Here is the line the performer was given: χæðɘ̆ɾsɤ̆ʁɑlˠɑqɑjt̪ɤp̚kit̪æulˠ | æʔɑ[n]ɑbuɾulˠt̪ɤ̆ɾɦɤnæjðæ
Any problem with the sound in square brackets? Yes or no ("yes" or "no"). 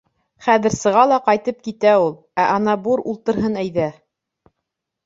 no